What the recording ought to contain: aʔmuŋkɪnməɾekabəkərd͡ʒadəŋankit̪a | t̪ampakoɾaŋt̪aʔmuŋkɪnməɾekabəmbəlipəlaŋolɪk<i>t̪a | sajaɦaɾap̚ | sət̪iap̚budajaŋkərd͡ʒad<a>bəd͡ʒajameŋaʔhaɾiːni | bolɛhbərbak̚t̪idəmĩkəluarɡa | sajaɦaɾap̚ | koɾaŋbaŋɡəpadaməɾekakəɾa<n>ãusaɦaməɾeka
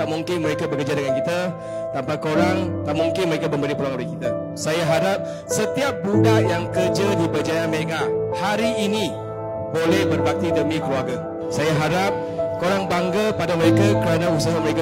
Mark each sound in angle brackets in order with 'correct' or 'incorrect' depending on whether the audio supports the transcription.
correct, incorrect, correct

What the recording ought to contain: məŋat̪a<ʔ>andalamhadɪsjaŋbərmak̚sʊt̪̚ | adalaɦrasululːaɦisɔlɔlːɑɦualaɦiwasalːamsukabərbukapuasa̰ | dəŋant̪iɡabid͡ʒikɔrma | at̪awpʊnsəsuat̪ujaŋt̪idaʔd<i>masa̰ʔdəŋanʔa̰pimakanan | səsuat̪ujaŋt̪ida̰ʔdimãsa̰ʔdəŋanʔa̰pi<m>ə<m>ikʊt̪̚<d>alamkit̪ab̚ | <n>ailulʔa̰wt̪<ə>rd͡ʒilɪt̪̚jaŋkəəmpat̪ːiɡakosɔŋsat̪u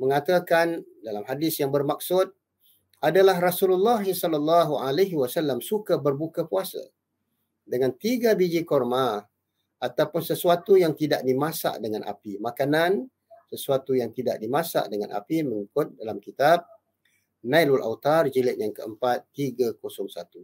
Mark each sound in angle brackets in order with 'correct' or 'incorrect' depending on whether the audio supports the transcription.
incorrect, correct, correct, incorrect, correct, correct, incorrect

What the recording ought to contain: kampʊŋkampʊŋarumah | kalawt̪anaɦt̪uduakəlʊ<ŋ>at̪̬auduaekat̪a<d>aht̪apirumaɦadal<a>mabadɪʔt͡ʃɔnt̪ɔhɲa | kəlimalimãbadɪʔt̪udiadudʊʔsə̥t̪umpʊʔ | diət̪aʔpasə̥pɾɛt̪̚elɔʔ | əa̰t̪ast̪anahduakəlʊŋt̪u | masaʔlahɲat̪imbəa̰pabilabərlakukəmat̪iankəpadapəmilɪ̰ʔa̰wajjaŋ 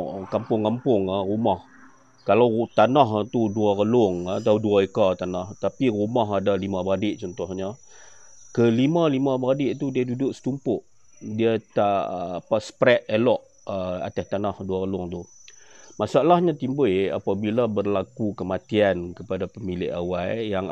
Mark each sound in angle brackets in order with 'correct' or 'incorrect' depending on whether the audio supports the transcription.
correct, incorrect, incorrect

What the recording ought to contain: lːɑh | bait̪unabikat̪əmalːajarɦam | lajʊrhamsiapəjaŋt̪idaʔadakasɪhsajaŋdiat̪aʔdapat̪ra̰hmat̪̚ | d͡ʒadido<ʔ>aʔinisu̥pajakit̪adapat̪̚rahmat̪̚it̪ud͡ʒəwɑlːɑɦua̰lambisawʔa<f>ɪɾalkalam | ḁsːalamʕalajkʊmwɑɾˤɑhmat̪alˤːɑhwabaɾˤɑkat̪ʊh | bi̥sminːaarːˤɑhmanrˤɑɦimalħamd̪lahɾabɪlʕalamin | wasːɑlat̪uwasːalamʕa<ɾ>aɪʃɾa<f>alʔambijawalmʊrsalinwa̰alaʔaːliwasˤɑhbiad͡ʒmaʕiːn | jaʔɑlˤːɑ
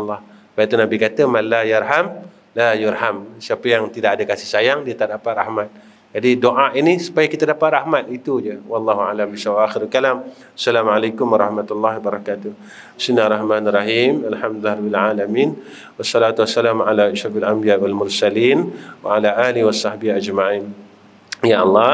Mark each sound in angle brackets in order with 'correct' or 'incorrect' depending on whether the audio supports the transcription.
correct, incorrect, incorrect, correct

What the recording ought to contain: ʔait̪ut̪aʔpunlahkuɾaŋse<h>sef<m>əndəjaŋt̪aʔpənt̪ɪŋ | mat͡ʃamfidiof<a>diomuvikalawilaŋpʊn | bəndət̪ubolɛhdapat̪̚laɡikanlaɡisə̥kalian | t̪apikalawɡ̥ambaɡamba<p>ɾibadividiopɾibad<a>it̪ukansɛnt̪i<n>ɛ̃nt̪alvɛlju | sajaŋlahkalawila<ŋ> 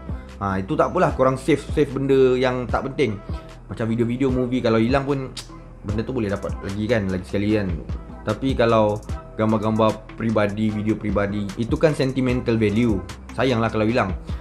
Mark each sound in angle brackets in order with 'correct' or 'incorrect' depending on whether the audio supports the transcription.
incorrect, incorrect, incorrect, correct, incorrect, incorrect, correct

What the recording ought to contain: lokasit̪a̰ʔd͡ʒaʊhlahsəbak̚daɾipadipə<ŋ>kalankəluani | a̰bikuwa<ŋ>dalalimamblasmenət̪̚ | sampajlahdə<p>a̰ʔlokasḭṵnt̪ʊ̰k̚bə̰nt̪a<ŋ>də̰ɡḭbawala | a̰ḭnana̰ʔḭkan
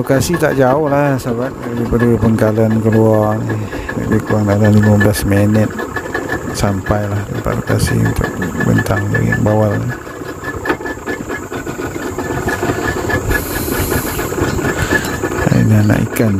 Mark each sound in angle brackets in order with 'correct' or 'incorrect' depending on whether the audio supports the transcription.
correct, correct, correct, correct

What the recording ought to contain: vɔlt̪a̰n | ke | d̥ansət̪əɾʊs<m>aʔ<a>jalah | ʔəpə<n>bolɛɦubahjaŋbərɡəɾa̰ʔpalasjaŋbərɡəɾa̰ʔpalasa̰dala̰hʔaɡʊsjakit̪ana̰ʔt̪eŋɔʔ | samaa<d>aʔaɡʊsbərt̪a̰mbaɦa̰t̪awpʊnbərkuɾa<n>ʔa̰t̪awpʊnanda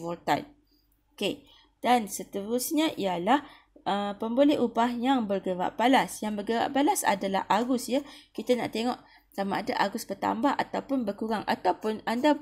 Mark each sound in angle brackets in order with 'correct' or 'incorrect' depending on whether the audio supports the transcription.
incorrect, incorrect, incorrect, correct, incorrect

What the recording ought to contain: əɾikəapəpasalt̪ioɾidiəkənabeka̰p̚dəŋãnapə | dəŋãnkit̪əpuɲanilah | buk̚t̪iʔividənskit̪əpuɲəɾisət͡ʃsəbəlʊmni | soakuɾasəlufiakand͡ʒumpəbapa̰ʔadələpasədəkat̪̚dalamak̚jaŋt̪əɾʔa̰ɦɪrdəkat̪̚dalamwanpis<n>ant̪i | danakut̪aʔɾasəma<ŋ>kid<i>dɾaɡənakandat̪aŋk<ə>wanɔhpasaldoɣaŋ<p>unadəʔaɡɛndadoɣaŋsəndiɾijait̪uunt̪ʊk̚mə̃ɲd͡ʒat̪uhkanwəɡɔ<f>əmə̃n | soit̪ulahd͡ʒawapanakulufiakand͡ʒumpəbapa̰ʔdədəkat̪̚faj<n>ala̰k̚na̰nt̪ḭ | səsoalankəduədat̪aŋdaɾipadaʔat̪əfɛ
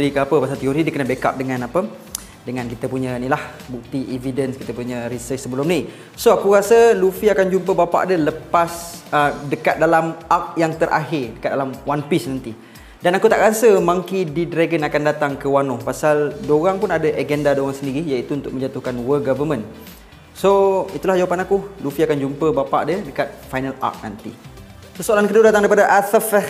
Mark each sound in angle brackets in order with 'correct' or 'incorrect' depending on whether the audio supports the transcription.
correct, correct, correct, correct, correct, incorrect, correct

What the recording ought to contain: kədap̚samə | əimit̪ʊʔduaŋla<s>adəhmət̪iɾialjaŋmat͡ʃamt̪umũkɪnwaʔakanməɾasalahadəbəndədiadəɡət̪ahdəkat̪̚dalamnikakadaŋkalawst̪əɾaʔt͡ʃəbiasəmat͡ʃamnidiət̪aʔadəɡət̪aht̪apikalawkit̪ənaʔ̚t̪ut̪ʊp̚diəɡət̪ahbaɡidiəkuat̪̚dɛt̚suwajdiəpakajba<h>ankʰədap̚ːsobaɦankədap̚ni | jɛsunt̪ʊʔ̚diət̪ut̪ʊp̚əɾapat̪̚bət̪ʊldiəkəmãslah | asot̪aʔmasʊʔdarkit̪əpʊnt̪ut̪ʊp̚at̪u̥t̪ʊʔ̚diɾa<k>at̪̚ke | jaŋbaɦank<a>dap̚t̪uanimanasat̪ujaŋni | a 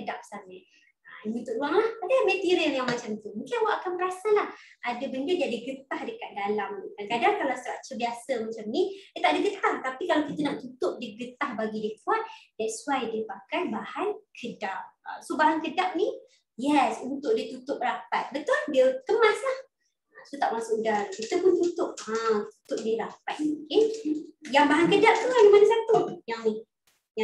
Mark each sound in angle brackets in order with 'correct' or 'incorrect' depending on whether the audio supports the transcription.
incorrect, correct, incorrect, incorrect

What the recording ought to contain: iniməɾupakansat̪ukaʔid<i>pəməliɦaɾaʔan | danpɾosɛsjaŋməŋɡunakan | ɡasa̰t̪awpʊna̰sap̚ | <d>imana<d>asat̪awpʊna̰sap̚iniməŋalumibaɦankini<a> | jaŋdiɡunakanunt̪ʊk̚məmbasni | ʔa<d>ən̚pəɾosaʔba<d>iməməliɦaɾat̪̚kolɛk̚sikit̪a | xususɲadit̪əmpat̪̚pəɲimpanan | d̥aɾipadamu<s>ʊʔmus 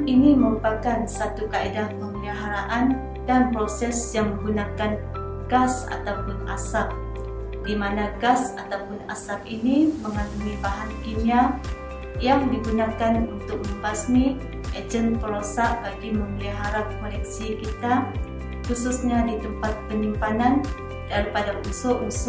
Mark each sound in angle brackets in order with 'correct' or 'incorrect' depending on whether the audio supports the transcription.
incorrect, correct, incorrect, correct, incorrect, incorrect, correct

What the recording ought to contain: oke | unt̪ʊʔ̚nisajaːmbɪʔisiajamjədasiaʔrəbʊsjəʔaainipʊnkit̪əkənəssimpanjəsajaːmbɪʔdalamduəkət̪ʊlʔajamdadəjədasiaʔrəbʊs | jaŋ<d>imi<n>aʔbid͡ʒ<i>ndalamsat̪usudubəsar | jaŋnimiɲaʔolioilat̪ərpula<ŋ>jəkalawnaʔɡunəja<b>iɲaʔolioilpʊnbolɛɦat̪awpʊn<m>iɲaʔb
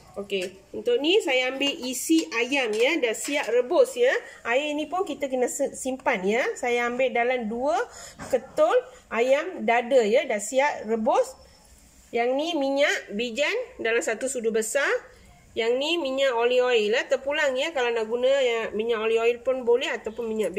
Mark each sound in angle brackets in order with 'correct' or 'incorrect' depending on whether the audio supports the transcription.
incorrect, incorrect, incorrect, correct, incorrect, correct

